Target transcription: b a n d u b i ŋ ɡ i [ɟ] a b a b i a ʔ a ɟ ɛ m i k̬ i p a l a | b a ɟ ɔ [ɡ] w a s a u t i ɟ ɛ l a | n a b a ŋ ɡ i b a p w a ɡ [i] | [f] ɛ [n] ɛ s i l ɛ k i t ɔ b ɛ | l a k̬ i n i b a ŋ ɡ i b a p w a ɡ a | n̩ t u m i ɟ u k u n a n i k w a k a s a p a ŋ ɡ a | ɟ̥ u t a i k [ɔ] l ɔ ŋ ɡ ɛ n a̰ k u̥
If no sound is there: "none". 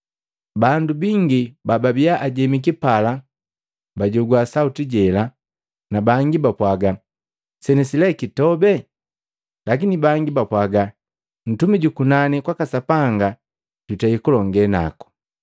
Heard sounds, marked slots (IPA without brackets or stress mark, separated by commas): b, ɡ, a, s, n, u